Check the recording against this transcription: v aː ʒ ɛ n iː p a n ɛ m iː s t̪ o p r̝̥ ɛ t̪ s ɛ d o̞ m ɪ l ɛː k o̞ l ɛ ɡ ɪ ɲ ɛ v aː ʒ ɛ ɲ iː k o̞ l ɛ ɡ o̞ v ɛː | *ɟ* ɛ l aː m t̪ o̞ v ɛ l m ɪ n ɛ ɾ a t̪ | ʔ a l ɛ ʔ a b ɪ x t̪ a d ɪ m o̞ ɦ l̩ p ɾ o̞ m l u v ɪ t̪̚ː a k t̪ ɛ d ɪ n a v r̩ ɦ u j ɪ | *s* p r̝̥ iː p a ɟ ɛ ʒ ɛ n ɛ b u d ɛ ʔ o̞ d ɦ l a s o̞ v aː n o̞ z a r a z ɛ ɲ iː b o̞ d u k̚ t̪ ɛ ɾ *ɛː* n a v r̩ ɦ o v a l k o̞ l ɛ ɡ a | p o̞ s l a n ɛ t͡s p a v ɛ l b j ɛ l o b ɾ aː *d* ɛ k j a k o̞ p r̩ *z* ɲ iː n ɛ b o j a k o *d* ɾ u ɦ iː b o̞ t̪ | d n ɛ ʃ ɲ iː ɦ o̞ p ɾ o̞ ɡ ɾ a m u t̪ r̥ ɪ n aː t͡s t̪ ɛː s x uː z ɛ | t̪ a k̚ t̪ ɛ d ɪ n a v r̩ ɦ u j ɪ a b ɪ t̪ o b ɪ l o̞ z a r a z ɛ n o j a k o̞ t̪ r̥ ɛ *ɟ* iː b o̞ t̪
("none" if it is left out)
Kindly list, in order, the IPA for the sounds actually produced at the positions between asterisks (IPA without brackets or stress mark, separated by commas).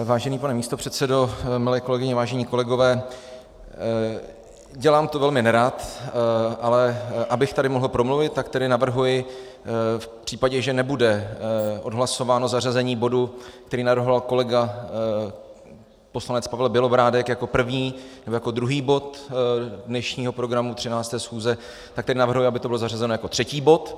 ɟ, f, iː, d, v, d, c